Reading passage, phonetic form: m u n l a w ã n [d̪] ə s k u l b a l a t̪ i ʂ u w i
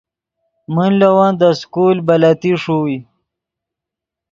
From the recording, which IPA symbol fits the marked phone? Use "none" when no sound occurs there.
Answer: d̪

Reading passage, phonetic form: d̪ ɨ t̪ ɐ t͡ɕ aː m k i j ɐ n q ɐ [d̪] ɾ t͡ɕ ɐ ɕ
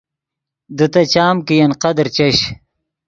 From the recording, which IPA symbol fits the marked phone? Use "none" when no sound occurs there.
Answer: d̪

